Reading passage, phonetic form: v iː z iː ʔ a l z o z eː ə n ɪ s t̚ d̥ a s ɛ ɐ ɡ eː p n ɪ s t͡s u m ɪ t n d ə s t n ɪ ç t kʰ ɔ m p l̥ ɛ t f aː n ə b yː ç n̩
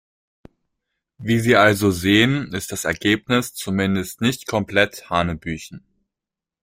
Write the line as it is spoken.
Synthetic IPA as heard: v iː z iː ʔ a l z o z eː ə n ɪ s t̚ d̥ a s ɛ ɐ ɡ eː p n ɪ s t͡s u m ɪ n d ə s t n ɪ ç t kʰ ɔ m p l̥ ɛ t h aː n ə b yː ç n̩